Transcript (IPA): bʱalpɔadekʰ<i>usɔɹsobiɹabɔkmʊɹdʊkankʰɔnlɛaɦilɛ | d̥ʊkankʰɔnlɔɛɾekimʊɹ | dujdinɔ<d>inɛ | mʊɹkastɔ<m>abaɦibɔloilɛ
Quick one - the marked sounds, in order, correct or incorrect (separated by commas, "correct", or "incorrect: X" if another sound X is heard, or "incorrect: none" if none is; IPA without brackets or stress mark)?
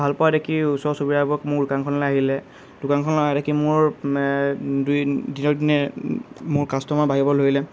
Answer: correct, correct, correct